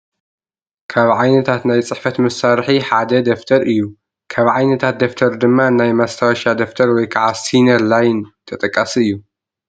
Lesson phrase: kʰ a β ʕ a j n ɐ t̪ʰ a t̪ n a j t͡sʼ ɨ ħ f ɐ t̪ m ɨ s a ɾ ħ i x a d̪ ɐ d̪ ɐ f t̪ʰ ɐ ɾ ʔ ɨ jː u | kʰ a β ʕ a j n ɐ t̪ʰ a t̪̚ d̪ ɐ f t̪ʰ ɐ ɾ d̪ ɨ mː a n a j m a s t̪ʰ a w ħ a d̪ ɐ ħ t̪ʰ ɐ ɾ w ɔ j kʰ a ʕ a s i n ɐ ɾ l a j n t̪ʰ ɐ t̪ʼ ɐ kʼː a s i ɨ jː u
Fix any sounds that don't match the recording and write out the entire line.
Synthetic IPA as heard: kʰ a β ʕ a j n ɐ t̪ʰ a t̪ n a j t͡sʼ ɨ ħ f ɐ t̪ m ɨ s a ɾ ħ i ħ a d̪ ɐ d̪ ɐ f t̪ʰ ɐ ɾ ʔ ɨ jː u | kʰ a β ʕ a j n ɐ t̪ʰ a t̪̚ d̪ ɐ f t̪ʰ ɐ ɾ d̪ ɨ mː a n a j m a s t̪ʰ a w ʃ a d̪ ɐ f t̪ʰ ɐ ɾ w ɔ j kʰ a ʕ a s i n ɐ ɾ l a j n t̪ʰ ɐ t̪ʼ ɐ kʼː a s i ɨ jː u

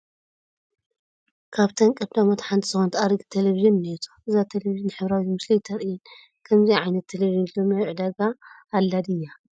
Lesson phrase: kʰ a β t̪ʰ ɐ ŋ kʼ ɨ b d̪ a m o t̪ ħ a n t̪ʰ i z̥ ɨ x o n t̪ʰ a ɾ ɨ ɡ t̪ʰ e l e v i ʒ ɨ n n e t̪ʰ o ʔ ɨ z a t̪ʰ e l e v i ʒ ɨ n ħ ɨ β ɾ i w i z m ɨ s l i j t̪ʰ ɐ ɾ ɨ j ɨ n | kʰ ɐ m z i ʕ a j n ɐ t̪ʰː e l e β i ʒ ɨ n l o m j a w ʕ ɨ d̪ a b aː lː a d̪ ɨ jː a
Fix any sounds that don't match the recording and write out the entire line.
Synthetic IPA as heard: kʰ a β t̪ʰ ɐ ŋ kʼ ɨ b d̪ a m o t̪ ħ a n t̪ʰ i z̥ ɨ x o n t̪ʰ a ɾ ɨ ɡ t̪ʰ e l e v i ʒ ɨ n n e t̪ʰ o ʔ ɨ z a t̪ʰ e l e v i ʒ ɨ n ħ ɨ β ɾ a w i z m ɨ s l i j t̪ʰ ɐ ɾ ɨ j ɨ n | kʰ ɐ m z i ʕ a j n ɐ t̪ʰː e l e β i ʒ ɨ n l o m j a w ʕ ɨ d̪ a ɡ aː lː a d̪ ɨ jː a

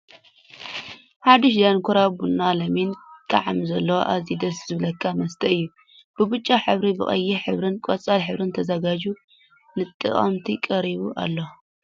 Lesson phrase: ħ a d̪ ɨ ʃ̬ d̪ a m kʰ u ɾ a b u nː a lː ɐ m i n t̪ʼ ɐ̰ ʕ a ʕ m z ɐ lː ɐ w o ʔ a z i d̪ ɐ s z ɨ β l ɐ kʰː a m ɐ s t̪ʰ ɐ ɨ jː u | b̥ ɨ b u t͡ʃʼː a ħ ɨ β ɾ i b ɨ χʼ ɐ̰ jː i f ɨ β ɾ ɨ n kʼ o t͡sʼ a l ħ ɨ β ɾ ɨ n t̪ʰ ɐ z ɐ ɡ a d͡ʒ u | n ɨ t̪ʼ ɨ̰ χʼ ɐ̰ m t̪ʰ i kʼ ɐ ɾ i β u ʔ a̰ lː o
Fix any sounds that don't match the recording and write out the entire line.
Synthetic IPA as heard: ħ a d̪ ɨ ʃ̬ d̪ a n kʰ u ɾ a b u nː a l ɐ m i n t̪ʼ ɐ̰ ʕ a m z ɐ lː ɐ w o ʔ a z i d̪ ɐ s z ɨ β l ɐ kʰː a m ɐ s t̪ʰ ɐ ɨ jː u | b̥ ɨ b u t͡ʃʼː a ħ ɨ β ɾ i b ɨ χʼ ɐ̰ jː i ħ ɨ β ɾ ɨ n kʼ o t͡sʼ a l ħ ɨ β ɾ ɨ n t̪ʰ ɐ z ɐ ɡ a d͡ʒ u | n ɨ t̪ʼ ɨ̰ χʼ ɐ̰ m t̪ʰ i kʼ ɐ ɾ i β u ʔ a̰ lː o

